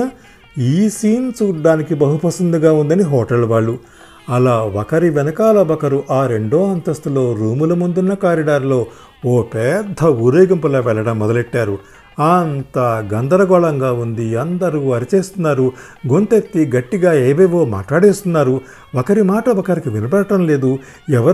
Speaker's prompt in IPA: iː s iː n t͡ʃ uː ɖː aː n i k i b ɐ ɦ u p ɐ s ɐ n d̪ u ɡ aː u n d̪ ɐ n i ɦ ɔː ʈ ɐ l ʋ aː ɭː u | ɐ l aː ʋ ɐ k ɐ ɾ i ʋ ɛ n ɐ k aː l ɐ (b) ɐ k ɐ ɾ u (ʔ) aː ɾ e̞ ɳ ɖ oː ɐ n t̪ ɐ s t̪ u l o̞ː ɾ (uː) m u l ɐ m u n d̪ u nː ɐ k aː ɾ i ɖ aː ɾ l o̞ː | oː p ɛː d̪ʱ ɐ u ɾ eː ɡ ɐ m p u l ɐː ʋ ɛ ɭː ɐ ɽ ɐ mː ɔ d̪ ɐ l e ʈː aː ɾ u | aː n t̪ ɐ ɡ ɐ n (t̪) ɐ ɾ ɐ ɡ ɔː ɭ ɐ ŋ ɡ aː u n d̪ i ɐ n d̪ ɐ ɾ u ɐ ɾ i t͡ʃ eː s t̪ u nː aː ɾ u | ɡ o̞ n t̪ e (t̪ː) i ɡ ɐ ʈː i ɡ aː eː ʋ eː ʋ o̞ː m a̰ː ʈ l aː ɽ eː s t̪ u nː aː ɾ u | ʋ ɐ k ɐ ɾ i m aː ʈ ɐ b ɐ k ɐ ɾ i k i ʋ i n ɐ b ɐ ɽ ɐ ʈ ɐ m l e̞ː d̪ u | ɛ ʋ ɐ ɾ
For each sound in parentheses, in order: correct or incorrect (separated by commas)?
correct, correct, correct, incorrect, correct